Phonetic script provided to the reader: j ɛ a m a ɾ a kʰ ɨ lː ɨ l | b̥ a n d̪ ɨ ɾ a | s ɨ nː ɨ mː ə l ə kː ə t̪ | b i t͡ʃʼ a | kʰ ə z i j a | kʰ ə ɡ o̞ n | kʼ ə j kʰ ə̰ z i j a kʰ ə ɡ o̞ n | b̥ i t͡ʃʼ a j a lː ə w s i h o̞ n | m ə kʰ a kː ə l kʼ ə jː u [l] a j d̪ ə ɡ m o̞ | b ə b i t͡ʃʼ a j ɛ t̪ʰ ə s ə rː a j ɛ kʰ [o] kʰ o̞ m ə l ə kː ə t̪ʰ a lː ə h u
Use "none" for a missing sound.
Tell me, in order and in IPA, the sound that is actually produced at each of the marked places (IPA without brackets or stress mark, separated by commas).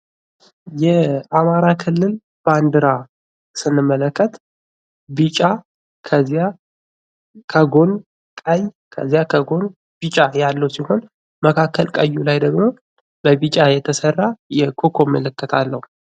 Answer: l, o